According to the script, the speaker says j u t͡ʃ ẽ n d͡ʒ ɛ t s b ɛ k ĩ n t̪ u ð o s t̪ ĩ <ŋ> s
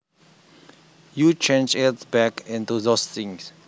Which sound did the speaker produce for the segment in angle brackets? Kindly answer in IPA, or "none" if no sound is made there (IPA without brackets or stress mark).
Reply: ŋ